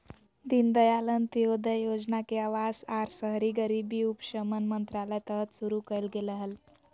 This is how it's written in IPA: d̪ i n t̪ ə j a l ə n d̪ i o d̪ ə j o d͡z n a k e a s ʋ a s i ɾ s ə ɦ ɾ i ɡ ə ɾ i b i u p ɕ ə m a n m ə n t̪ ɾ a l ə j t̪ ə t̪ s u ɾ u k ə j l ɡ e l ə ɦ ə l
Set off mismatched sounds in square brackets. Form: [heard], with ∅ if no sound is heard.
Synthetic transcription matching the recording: d̪ i n [d̪] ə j a l ə n [t̪] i o d̪ ə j o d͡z n a k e a [∅] ʋ a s [a] ɾ s ə ɦ ɾ i ɡ ə ɾ i b i u p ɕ ə m [ə] n m ə n t̪ ɾ a l ə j t̪ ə t̪ s u ɾ u k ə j l ɡ e l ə ɦ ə l